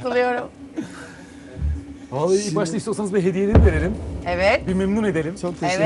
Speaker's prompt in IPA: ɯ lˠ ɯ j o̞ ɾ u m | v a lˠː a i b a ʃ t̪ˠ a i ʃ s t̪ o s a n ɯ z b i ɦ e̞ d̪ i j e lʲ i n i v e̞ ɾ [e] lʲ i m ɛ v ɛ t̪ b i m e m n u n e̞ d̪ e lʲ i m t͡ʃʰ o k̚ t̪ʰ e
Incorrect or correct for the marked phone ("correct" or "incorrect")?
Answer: correct